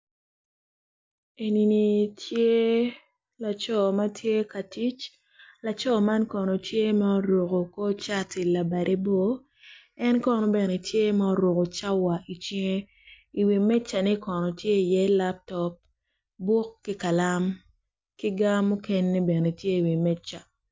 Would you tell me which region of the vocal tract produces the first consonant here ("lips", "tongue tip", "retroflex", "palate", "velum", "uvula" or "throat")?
tongue tip